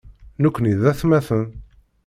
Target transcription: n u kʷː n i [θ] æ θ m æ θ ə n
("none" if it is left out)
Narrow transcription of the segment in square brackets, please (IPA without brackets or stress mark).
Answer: ð